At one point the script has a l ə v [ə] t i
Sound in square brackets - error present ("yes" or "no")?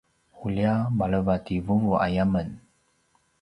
yes